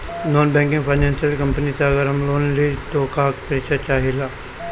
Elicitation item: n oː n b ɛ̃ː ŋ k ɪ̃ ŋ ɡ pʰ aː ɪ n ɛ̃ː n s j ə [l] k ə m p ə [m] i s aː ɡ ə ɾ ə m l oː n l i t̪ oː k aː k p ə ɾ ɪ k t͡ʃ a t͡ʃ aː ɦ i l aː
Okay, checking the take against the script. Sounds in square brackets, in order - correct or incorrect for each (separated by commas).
correct, incorrect